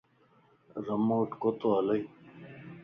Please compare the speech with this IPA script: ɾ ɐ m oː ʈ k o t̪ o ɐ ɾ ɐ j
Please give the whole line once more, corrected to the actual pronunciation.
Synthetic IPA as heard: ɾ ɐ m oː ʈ k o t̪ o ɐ l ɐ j